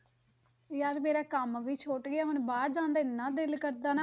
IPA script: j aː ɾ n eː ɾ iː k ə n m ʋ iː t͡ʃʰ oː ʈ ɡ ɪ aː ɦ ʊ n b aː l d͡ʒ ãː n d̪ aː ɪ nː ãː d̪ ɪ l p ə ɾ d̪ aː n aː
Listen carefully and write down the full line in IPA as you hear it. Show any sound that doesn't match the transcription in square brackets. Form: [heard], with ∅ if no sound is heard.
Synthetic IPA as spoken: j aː ɾ [m] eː ɾ [aː] k ə [∅] m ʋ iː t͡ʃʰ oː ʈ ɡ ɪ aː ɦ ʊ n b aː [ɾ] d͡ʒ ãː n d̪ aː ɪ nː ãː d̪ ɪ l [k] ə ɾ d̪ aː n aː